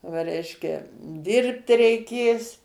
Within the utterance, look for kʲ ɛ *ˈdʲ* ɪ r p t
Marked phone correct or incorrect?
correct